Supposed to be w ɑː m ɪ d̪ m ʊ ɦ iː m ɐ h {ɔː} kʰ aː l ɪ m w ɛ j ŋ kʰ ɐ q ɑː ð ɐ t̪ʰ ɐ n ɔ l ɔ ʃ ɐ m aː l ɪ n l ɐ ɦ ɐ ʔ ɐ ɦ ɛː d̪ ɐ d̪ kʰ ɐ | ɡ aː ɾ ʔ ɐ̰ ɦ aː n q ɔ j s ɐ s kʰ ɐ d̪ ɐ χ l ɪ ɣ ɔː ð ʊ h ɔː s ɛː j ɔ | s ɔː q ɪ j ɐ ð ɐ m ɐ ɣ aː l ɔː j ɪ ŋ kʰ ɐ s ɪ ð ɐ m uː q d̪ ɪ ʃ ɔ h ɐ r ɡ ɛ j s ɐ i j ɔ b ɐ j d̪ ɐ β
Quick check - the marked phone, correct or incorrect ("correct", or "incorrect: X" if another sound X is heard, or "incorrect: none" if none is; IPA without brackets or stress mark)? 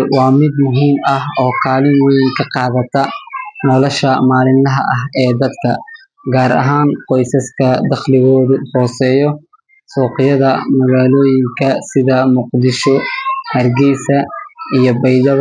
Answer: correct